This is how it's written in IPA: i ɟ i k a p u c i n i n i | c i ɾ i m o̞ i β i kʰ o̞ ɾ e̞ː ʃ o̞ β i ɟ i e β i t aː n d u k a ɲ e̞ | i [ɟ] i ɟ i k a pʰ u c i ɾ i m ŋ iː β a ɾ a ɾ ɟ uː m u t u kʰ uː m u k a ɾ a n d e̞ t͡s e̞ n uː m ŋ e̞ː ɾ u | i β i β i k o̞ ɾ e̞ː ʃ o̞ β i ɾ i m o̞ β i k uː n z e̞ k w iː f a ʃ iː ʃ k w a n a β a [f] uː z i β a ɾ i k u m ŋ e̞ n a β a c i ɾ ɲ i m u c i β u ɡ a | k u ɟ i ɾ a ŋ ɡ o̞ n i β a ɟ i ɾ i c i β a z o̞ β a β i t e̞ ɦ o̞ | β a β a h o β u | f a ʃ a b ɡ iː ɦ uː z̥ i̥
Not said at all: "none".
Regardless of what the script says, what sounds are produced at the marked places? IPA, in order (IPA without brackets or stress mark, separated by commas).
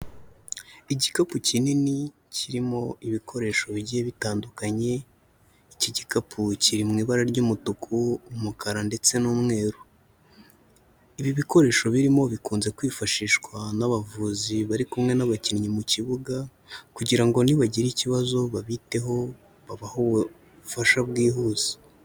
c, v